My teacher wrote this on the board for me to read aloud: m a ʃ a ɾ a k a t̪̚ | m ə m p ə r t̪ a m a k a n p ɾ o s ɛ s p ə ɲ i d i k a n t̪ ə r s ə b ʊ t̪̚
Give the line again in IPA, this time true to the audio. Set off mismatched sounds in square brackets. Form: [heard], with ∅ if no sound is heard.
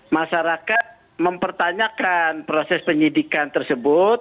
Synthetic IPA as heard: m a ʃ a ɾ a k a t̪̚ | m ə m p ə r t̪ a [ɲ] a k a n p ɾ o s ɛ s p ə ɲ i d i k a n t̪ ə r s ə b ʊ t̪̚

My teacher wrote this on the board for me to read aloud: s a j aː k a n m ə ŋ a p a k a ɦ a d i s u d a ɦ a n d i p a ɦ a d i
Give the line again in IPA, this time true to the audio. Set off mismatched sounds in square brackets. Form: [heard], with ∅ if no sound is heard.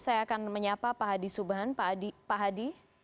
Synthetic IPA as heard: s a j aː k a n m ə [ɲ] a p a [p] a ɦ a d i s u [b] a ɦ a n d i p a ɦ a d i

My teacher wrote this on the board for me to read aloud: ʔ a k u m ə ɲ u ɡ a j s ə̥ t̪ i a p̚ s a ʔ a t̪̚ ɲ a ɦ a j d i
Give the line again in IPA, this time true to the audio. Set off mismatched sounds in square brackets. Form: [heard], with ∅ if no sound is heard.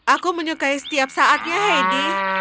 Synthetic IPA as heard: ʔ a k u m ə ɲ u [k] a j s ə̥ t̪ i a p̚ s a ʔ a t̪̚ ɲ a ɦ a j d i

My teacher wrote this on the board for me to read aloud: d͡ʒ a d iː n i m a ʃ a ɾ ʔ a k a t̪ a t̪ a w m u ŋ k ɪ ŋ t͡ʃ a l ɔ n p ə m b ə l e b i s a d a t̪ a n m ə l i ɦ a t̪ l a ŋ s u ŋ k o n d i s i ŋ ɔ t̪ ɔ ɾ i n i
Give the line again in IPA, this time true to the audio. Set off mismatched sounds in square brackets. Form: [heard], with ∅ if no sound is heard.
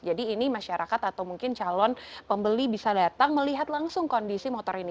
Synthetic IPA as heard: d͡ʒ a d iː n i m a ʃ a ɾ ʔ a k a t̪ a t̪ a w m u ŋ k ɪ [n] t͡ʃ a l ɔ n p ə m b ə l [i] b i s a d a t̪ a [ŋ] m ə l i ɦ a t̪ l a ŋ s [ʊ] ŋ k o n d i s i [m] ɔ t̪ ɔ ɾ i n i

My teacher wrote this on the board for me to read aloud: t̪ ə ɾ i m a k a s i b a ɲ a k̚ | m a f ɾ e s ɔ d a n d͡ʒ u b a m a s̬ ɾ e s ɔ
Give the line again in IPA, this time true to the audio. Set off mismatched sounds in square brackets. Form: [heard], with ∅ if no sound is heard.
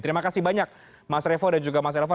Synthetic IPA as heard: t̪ ə ɾ i m a k a s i b a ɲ a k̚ | m a [s] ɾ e [f] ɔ d a n d͡ʒ u [ɡ] a m a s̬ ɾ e [f] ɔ

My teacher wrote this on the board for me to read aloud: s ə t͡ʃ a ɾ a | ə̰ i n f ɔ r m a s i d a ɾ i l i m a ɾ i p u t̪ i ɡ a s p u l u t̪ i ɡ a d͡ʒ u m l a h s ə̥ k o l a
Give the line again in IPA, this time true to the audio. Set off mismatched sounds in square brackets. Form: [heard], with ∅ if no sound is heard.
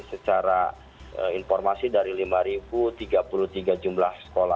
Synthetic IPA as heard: s ə t͡ʃ a ɾ a | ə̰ i n f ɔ r m a s i d a ɾ i l i m a ɾ i [b] u t̪ i ɡ a [∅] p u l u t̪ i ɡ a d͡ʒ u m l a h s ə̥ k o l a

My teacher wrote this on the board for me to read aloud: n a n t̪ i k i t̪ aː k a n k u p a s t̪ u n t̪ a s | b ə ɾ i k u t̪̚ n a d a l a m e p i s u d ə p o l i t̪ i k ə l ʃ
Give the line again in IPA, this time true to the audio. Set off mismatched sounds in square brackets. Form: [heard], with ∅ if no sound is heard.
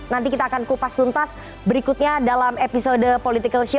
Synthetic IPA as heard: n a n t̪ i k i t̪ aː k a n k u p a s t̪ u n t̪ a s | b ə ɾ i k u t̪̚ [ɲ] a d a l a m e p i s [o] d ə p o l i t̪ i k ə l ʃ

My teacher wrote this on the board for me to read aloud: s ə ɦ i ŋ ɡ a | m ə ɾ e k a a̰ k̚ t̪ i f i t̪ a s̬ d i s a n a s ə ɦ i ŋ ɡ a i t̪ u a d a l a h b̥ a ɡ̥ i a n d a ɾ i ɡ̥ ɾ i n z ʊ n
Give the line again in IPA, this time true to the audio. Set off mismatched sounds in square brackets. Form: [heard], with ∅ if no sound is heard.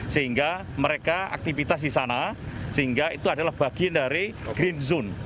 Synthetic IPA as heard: s ə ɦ i ŋ ɡ a | m ə ɾ e k a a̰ k̚ t̪ i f i t̪ a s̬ d i s a n a s ə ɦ i ŋ ɡ a i t̪ u a d a l a h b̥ a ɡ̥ i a n d a ɾ i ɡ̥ ɾ i n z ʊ n

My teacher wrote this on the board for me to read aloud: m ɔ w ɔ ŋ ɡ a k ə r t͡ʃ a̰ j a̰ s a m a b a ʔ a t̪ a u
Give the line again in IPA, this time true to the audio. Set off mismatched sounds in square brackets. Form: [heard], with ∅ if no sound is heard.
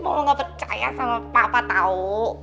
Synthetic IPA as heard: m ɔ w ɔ ŋ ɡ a [p] ə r t͡ʃ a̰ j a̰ s a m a [p] a [p] a t̪ a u

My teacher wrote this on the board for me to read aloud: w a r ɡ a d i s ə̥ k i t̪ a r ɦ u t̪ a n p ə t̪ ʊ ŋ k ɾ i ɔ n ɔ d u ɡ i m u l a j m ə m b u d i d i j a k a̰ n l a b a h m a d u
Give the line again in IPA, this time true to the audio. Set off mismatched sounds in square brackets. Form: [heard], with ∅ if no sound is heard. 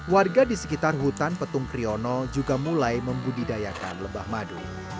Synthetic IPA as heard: w a r ɡ a d i s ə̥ k i t̪ a r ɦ u t̪ a n p ə t̪ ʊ ŋ k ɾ i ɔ n ɔ [d͡ʒ] u ɡ [a] m u l a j m ə m b u d i d [a] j a k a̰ n l [ə] b a h m a d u

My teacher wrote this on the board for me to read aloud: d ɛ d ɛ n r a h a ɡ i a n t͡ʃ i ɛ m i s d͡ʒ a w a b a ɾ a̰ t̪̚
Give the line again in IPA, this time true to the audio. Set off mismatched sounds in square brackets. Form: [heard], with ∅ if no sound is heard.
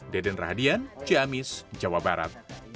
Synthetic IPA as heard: d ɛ d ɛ n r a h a [d] i a n t͡ʃ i [a] m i s d͡ʒ a w a b a ɾ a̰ t̪̚

